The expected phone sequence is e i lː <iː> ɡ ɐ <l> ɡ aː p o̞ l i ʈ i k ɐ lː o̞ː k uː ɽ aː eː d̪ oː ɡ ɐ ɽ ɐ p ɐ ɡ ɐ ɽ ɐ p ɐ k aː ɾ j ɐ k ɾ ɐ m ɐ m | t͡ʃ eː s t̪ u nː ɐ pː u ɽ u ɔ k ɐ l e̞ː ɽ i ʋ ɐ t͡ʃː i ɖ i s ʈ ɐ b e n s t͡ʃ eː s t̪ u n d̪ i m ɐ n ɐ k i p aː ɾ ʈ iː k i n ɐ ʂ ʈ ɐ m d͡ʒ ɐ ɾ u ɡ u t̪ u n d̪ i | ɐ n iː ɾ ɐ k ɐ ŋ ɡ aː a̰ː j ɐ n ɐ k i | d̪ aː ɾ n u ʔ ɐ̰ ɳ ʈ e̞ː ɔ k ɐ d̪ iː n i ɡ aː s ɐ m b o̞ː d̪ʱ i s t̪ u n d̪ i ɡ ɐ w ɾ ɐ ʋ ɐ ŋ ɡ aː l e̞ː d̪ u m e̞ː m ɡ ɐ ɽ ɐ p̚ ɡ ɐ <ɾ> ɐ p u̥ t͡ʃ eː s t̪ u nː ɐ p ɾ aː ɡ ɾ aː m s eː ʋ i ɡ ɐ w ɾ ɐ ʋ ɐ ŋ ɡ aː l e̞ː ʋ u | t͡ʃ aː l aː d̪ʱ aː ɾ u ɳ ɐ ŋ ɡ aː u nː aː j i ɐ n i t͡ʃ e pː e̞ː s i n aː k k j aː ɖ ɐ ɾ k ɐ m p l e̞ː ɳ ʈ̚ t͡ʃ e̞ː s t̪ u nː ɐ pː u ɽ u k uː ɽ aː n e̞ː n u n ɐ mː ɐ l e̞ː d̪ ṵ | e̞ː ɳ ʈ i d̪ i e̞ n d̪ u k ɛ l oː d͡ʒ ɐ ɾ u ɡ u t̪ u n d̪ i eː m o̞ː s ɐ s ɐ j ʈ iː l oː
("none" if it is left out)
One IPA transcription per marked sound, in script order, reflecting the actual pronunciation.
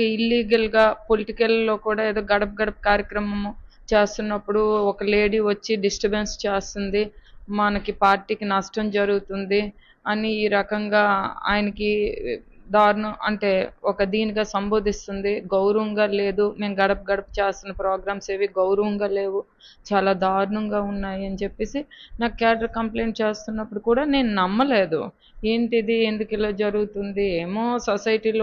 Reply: iː, l, ɽ

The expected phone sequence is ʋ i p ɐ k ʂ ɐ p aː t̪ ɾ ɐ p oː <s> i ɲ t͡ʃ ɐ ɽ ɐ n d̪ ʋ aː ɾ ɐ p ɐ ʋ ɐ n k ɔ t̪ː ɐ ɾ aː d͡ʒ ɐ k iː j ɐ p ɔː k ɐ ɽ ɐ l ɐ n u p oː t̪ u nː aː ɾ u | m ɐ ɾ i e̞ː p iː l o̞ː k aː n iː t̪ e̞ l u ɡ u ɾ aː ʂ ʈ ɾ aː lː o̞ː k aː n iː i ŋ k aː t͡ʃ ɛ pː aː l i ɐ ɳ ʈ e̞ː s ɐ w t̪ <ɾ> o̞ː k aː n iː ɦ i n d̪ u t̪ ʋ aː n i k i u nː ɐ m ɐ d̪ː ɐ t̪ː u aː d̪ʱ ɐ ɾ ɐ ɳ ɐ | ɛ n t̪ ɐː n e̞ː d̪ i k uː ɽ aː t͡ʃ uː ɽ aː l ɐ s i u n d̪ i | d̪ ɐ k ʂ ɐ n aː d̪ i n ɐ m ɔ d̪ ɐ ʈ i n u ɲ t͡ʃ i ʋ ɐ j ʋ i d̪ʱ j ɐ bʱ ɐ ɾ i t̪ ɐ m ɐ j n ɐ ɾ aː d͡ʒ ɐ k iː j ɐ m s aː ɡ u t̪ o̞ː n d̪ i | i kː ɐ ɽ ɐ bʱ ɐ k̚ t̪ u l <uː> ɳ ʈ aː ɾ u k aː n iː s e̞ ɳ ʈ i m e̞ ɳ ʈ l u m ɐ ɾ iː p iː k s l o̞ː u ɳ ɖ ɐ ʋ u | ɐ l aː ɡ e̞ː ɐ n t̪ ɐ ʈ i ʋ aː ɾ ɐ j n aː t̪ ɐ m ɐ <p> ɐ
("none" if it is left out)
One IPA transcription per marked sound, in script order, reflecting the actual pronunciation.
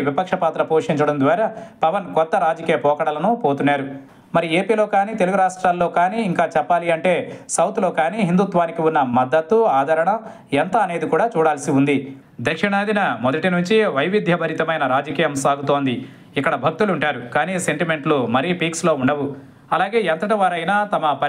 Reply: ʂ, l, u, p

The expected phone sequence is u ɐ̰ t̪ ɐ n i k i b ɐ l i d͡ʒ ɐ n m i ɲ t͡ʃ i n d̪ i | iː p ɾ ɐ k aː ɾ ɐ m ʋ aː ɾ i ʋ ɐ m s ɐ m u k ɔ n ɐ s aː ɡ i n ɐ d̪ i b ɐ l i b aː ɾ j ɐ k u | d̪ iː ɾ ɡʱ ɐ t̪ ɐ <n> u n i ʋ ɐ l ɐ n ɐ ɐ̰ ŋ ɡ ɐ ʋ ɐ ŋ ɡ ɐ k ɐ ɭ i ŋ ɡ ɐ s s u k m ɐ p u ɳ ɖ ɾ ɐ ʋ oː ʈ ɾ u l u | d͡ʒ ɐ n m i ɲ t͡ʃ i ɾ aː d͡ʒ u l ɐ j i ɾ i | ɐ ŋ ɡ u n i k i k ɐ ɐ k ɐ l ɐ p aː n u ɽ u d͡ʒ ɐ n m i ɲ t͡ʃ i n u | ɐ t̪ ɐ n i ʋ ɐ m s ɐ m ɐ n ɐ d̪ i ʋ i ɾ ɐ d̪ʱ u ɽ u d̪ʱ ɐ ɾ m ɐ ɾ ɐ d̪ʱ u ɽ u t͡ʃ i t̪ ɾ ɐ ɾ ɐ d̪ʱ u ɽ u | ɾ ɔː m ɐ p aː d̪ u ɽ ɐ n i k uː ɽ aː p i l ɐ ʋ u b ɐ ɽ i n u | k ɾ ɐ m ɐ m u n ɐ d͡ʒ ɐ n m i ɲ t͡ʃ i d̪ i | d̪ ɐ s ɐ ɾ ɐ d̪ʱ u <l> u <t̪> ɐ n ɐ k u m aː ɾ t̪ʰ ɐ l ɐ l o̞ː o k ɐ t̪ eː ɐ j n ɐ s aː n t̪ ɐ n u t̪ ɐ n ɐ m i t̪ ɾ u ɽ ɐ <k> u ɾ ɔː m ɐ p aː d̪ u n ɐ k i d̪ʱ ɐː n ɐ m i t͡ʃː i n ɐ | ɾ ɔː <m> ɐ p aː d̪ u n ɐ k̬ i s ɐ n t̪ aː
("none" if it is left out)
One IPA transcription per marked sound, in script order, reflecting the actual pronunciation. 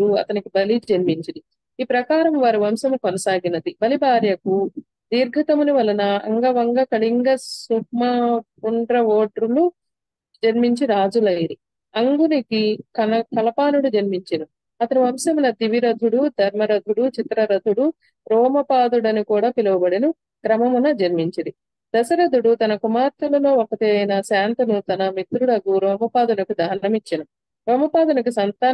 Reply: m, ɽ, t̪, ɡ, m

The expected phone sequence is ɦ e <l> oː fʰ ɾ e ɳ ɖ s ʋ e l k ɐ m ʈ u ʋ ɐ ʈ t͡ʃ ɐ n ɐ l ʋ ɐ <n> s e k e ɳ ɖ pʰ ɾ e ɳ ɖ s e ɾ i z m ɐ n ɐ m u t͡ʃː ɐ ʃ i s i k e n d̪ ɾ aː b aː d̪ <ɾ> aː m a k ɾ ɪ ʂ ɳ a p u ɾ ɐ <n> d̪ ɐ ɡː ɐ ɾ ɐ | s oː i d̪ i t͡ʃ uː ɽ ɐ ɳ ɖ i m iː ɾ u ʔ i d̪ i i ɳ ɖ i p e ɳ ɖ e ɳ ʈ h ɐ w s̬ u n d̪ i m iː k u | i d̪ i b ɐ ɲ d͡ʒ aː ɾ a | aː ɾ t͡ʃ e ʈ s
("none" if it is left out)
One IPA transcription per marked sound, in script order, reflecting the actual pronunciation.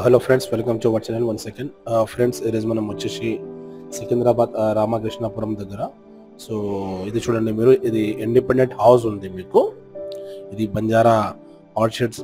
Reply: l, n, ɾ, m

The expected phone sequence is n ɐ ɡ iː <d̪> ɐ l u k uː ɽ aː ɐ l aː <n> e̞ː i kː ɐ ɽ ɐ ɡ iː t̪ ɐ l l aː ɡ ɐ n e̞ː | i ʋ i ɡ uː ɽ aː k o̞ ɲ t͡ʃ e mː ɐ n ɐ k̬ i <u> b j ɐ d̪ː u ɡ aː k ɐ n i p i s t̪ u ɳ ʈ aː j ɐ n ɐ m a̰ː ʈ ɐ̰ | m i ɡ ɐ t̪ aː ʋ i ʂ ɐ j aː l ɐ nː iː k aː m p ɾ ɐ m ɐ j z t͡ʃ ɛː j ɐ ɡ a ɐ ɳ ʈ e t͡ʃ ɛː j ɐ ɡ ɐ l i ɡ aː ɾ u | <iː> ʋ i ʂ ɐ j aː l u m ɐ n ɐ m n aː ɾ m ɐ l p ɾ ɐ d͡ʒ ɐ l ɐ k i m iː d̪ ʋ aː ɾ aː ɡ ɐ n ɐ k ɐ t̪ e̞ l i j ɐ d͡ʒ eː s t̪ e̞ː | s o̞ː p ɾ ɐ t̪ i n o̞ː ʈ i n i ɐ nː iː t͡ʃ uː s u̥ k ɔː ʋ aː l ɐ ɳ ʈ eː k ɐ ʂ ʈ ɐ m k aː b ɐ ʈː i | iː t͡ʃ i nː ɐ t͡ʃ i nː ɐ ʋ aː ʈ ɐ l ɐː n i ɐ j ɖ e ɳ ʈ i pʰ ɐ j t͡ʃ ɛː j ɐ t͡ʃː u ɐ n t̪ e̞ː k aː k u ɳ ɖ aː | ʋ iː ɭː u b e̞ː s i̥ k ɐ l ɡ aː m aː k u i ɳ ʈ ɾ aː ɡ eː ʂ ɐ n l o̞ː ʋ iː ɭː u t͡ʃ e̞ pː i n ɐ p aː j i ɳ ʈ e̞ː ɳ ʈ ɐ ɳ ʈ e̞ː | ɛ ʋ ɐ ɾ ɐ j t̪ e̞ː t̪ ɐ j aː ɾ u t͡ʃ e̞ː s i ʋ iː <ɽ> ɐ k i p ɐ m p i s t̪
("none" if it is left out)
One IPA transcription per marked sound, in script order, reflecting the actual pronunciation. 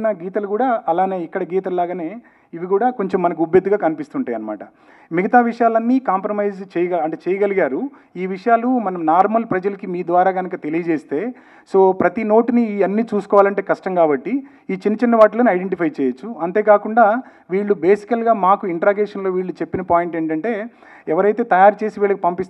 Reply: t̪, n, u, iː, ɭ

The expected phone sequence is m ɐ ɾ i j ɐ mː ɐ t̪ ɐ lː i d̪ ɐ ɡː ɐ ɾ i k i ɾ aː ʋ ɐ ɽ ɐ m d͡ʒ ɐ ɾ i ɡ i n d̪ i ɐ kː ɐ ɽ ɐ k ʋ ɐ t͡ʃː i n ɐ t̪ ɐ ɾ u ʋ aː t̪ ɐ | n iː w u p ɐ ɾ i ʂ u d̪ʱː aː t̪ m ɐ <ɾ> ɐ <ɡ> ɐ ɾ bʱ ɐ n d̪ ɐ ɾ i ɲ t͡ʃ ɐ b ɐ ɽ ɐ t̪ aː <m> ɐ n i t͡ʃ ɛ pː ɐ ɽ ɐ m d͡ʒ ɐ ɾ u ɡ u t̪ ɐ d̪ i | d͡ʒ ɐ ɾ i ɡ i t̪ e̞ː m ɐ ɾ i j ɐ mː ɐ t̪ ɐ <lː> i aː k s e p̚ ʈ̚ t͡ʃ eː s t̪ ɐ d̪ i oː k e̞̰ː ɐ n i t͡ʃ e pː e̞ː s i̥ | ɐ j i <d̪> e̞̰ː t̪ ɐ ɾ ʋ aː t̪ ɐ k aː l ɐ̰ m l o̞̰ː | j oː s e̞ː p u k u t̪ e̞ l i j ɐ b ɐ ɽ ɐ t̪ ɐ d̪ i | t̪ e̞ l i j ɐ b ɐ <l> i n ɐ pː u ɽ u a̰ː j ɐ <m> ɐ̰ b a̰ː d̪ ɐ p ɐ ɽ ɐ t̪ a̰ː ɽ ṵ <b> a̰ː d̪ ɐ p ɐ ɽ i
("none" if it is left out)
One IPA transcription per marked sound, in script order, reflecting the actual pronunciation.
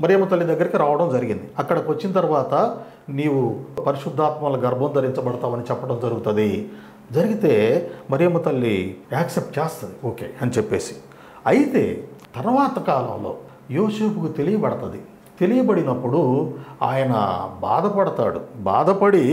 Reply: l, ɡ, m, lː, t̪, ɽ, n, b

